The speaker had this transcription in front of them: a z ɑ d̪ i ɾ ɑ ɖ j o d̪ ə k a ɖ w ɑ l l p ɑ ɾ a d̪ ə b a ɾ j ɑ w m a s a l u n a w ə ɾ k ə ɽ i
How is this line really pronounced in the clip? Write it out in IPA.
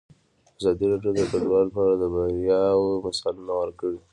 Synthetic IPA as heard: a z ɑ d̪ i ɾ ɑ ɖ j o d̪ ə k a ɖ w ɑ l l p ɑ ɾ a d̪ ə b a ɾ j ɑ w m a s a l u n a w ə ɾ k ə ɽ i